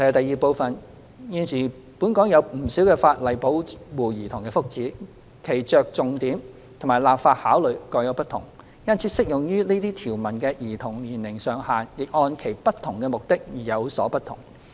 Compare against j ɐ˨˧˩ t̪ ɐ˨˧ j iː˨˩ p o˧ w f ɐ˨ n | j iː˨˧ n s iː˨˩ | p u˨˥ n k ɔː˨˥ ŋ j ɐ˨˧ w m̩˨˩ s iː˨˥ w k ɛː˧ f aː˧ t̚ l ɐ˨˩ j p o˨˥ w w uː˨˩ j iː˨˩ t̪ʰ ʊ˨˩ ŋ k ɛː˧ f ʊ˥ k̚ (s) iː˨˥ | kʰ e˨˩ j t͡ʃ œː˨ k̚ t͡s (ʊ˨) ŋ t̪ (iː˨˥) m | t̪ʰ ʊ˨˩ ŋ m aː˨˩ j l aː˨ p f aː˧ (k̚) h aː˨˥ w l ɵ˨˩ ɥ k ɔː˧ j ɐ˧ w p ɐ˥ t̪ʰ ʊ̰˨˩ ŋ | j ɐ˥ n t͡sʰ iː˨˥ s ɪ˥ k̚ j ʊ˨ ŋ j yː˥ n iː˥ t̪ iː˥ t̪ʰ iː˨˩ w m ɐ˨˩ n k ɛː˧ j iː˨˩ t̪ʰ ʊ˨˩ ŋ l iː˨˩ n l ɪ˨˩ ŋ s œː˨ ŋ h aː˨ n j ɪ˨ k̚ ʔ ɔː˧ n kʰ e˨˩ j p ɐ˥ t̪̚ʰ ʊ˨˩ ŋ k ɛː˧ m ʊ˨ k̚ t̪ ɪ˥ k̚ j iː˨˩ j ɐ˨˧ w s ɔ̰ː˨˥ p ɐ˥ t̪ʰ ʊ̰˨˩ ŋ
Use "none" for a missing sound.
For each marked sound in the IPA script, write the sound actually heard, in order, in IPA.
t͡s, ʊ˨, iː˨˥, t̚

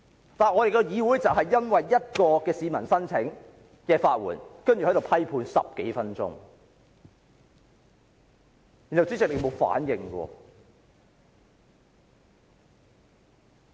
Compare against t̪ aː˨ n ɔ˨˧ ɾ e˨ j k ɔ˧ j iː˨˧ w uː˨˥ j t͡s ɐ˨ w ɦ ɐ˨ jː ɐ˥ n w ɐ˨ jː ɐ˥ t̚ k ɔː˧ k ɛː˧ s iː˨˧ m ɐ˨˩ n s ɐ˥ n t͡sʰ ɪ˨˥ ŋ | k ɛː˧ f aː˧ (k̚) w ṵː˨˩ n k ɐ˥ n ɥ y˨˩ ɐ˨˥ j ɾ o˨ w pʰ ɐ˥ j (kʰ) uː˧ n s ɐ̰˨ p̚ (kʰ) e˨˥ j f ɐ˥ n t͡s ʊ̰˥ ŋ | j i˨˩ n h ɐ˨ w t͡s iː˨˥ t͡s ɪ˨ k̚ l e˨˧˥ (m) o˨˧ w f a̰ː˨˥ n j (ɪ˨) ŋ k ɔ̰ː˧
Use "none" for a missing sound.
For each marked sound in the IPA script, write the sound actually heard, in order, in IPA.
t̚, pʰ, k, m, ɪ˨

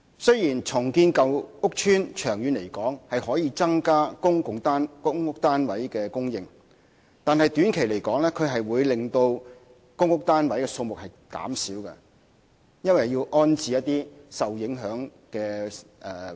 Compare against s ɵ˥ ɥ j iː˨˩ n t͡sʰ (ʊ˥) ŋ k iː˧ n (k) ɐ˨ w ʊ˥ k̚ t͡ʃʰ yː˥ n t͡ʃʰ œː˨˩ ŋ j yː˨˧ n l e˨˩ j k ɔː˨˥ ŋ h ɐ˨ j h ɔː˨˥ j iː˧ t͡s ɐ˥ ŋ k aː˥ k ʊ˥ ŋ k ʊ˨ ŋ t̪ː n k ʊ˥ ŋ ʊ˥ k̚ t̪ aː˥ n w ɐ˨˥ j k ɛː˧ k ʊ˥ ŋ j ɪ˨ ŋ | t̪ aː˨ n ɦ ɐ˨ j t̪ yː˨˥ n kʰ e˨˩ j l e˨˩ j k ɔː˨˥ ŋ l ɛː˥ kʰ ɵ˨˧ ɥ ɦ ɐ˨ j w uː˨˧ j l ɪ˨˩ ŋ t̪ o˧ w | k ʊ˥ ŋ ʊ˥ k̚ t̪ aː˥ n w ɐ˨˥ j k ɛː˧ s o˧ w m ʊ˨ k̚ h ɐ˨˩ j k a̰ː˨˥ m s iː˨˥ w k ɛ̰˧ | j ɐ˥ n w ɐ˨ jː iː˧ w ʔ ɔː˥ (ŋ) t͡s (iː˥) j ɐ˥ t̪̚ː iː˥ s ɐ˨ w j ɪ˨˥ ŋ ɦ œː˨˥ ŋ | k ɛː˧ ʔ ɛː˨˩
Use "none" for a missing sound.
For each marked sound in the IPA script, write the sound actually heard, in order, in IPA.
ʊ˨˩, k, n, iː˨

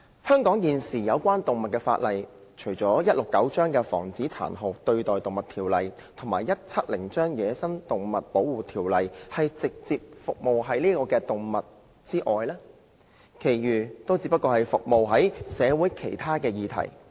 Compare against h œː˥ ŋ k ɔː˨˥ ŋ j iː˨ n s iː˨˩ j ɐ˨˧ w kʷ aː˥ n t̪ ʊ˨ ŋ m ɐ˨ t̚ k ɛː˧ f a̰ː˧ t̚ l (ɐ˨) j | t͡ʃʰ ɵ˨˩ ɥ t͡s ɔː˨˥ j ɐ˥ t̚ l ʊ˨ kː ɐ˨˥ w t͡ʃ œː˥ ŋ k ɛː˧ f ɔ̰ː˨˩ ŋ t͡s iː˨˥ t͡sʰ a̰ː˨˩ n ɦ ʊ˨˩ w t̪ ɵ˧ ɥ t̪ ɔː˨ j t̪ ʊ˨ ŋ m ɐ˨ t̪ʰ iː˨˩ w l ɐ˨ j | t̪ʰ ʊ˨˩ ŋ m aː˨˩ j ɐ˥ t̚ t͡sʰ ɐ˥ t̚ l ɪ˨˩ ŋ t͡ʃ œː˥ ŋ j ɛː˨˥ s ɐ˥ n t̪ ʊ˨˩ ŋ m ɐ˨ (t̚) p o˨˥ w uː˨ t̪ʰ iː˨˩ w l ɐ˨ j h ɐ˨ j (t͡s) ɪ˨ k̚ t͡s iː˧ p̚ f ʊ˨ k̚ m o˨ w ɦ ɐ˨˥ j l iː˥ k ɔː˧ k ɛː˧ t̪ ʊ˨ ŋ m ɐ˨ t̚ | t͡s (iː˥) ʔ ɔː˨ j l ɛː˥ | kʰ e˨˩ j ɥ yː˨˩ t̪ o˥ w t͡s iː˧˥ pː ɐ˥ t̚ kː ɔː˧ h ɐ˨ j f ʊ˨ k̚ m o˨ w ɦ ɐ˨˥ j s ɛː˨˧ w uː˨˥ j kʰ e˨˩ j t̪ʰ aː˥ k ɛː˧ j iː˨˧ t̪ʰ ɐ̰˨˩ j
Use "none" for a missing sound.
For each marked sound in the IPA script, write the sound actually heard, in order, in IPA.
ɐ˨, t̚, t͡s, iː˥

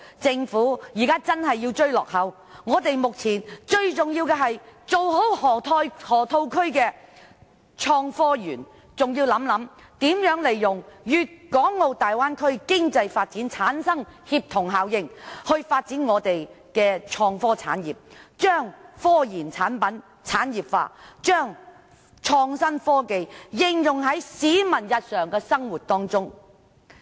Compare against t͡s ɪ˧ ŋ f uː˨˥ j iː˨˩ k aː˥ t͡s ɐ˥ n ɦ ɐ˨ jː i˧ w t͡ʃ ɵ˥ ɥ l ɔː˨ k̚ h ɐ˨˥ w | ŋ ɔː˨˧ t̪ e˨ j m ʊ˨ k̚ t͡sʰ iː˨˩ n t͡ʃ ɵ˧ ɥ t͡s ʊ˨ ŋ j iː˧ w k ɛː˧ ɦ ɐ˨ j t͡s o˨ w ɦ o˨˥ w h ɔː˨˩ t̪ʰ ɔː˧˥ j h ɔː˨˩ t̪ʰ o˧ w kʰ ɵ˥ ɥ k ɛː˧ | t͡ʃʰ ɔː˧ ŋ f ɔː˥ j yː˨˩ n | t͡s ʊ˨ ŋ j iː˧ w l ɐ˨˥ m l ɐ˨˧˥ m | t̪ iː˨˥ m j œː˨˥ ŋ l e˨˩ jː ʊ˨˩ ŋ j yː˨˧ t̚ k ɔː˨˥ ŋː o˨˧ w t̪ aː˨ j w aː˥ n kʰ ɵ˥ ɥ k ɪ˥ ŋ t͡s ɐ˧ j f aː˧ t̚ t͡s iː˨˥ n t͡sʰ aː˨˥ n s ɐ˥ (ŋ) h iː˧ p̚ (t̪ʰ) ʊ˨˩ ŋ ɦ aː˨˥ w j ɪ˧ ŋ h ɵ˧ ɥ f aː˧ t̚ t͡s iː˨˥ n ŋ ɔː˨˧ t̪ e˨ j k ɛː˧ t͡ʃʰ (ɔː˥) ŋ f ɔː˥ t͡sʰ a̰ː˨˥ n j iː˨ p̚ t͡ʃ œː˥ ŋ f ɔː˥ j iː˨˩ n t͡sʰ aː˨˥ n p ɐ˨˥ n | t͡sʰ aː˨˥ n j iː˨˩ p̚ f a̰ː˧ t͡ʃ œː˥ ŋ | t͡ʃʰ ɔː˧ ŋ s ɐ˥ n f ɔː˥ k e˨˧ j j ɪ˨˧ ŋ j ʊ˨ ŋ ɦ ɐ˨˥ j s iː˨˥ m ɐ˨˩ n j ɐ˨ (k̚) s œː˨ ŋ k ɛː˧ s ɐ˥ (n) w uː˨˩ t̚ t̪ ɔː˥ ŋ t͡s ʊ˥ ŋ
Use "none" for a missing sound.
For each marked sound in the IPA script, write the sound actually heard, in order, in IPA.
ŋ, t̪ʰ, ɔː˧, t̚, ŋ

